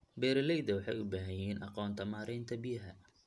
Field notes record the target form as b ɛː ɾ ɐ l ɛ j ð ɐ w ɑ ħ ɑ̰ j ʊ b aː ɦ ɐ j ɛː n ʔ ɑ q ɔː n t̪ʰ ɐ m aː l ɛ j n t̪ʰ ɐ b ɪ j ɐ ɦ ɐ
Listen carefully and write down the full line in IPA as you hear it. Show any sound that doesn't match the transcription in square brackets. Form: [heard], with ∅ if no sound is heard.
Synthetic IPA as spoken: b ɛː ɾ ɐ l ɛ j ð ɐ w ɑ ħ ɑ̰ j ʊ b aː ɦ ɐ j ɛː n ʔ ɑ q ɔː n t̪ʰ ɐ m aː [ɾ] ɛ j n t̪ʰ ɐ b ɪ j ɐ ɦ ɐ